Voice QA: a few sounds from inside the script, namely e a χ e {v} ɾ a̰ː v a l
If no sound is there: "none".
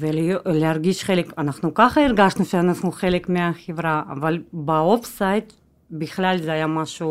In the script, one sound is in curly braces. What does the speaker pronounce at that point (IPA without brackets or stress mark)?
v